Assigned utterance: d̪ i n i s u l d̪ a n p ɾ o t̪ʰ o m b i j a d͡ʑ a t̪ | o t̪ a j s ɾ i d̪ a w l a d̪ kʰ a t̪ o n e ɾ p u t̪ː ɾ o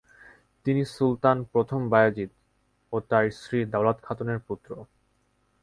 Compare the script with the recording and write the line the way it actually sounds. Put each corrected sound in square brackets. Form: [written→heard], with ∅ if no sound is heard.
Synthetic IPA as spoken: [d̪→t̪] i n i s u l [d̪→t̪] a n p ɾ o t̪ʰ o m b [i→a] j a d͡ʑ [a→i] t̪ | o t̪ a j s ɾ i d̪ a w l a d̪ kʰ a t̪ o n e ɾ p u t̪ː ɾ o